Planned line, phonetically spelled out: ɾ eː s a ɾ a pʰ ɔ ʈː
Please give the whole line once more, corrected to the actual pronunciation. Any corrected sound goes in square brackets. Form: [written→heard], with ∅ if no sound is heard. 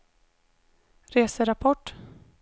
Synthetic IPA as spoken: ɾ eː s [a→ə] ɾ a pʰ ɔ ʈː